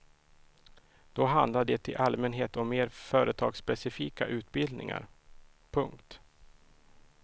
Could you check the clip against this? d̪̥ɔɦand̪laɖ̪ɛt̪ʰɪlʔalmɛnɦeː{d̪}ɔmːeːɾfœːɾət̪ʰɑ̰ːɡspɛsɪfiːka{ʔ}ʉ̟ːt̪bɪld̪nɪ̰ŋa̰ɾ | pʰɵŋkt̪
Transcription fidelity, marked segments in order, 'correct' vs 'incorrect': incorrect, correct

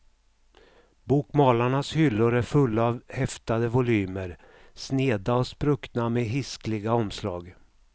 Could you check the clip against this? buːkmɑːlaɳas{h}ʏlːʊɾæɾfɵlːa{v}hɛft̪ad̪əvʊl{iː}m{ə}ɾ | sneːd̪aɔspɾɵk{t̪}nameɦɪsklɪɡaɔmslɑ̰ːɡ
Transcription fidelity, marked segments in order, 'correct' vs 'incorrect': correct, correct, incorrect, correct, correct

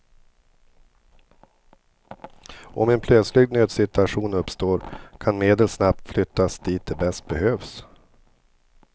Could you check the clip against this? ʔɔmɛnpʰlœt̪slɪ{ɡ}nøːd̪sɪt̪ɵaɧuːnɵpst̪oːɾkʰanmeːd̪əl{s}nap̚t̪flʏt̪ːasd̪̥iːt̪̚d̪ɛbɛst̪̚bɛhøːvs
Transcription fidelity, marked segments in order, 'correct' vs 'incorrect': correct, correct

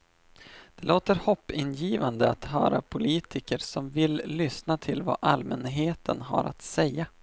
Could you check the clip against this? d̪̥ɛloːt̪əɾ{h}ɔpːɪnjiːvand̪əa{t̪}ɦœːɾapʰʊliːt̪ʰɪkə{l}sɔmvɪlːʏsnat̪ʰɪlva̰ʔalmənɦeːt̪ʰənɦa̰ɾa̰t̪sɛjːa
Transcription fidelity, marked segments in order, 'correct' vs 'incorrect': correct, correct, incorrect

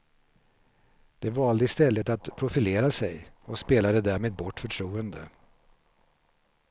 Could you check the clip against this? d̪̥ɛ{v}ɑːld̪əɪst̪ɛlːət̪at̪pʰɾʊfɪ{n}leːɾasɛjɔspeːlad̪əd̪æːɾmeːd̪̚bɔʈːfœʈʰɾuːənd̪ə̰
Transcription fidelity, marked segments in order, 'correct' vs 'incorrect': correct, incorrect

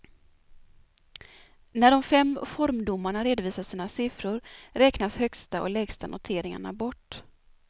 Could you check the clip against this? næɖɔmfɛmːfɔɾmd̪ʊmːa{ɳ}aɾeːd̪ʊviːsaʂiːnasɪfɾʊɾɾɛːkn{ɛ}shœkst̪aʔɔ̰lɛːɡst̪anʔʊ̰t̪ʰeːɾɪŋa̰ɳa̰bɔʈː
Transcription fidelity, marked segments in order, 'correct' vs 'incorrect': correct, incorrect

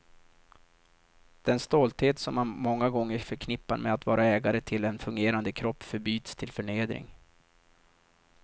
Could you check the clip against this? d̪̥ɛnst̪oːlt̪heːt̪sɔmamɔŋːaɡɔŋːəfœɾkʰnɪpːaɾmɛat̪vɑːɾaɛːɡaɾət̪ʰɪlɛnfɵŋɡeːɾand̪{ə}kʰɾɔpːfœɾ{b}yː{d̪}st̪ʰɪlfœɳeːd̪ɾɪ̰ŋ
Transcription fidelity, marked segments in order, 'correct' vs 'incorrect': correct, correct, incorrect

